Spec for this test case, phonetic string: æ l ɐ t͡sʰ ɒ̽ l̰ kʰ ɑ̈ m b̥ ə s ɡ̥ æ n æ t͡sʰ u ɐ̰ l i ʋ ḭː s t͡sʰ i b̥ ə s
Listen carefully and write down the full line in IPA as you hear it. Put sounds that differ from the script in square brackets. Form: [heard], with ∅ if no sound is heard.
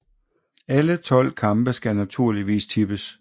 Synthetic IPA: æ l [ə] t͡sʰ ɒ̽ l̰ kʰ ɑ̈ m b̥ ə s ɡ̥ æ n æ t͡sʰ u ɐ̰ l i ʋ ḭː s t͡sʰ i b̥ ə s